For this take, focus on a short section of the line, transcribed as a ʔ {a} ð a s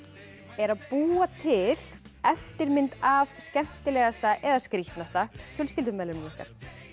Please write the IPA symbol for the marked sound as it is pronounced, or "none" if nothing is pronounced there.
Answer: ɛ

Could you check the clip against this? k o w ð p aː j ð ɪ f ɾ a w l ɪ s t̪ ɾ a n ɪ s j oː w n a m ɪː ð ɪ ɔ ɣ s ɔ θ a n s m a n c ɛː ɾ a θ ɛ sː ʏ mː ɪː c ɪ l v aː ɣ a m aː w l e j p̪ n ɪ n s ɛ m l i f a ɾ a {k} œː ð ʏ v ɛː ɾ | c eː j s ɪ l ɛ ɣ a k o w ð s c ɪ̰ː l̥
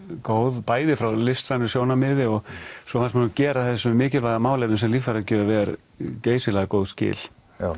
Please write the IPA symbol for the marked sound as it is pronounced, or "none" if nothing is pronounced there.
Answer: c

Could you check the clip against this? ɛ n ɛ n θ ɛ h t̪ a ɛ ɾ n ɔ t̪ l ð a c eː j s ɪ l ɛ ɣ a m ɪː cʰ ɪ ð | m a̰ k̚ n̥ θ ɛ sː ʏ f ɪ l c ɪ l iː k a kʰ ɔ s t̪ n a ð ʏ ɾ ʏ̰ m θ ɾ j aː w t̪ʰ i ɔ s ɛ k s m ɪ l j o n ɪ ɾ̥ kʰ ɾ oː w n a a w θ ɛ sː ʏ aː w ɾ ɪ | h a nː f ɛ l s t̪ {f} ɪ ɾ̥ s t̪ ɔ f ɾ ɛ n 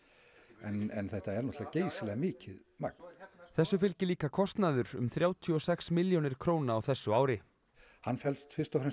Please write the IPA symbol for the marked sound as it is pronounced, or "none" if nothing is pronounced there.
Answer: f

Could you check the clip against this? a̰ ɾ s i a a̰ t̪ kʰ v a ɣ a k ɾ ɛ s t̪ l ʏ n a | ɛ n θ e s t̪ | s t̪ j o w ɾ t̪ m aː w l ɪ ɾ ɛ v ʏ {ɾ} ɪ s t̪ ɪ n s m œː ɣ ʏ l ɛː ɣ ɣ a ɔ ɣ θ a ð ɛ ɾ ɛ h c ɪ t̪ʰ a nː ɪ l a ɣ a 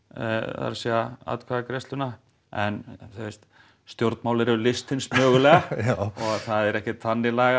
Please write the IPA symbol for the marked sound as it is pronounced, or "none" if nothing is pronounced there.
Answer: l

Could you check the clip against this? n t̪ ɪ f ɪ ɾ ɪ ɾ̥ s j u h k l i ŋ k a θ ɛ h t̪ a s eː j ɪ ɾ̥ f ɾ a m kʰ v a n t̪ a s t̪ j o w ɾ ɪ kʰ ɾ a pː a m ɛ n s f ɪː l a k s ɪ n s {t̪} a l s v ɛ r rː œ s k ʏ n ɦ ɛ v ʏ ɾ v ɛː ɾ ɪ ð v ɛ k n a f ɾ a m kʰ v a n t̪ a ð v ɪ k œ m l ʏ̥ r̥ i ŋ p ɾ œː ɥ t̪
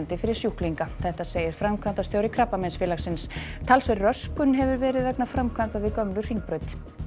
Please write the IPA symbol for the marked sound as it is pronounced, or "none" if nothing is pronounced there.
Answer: t̪ʰ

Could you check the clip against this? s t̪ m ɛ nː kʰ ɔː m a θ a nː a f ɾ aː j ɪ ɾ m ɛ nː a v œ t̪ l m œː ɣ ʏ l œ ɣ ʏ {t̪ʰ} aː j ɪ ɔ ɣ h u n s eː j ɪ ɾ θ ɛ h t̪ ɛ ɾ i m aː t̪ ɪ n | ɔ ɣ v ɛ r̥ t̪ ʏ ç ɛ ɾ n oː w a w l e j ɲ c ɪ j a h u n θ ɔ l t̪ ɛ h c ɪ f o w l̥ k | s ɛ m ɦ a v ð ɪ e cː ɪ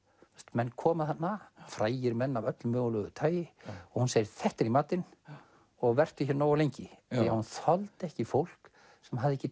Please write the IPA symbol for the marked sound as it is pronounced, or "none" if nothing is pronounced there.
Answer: t̪ʰ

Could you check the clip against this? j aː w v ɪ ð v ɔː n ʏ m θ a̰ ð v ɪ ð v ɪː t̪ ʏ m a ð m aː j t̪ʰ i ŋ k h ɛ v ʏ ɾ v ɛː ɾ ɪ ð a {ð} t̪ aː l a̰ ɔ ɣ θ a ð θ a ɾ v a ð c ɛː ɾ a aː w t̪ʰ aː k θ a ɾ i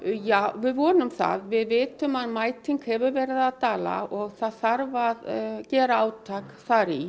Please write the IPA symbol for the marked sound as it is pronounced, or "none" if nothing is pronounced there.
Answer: ð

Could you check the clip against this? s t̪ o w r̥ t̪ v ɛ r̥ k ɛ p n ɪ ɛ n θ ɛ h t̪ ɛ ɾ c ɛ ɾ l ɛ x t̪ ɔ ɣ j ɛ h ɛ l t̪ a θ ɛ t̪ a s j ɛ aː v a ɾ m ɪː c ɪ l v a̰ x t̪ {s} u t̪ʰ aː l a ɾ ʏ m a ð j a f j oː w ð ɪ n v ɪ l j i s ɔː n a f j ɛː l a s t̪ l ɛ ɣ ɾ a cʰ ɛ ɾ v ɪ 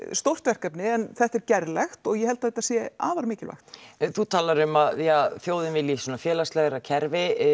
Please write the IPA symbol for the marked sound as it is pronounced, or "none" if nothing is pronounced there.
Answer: θ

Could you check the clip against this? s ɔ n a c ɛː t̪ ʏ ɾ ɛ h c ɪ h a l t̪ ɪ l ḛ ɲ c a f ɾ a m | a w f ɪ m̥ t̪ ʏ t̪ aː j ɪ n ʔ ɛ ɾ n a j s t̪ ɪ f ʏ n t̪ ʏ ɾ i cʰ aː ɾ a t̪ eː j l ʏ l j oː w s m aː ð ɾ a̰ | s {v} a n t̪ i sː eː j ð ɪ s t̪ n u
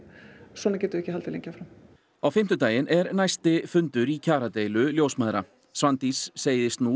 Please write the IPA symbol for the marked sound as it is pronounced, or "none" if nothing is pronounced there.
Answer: v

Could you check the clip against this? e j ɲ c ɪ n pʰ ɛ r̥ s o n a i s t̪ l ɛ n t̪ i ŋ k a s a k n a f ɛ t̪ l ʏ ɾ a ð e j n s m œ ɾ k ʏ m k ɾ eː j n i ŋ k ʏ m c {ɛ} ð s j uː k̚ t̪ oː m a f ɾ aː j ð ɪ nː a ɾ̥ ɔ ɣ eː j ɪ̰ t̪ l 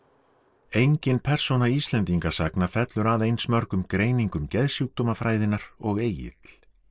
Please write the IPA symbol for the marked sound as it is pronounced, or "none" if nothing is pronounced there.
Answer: ɛ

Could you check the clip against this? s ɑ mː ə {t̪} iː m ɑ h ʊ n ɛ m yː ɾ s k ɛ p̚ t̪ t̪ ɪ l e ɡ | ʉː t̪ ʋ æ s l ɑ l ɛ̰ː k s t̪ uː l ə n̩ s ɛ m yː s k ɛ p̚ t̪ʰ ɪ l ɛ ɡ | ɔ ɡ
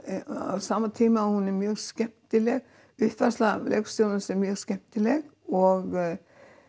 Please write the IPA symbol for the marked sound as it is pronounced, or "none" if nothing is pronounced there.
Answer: t̪ʰ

